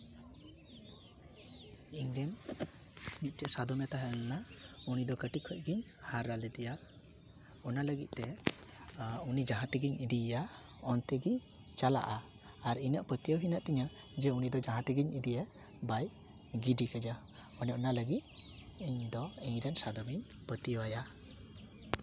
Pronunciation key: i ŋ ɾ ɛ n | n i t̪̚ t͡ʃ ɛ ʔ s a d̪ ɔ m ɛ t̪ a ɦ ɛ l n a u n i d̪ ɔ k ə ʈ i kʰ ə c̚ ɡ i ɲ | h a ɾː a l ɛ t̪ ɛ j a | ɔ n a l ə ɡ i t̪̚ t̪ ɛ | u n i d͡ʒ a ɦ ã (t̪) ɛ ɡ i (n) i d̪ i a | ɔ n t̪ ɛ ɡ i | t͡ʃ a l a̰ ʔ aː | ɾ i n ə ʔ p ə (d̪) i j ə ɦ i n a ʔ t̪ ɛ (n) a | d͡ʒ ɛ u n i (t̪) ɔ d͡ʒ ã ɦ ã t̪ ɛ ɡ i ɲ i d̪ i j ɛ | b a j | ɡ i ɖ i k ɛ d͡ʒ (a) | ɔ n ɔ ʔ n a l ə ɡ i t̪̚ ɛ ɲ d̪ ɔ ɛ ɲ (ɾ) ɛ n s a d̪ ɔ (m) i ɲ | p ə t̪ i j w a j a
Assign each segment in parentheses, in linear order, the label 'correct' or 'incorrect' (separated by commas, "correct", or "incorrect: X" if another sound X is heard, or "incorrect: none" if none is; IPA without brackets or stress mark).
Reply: correct, incorrect: ɲ, incorrect: t̪, incorrect: ɲ, incorrect: d̪, correct, correct, correct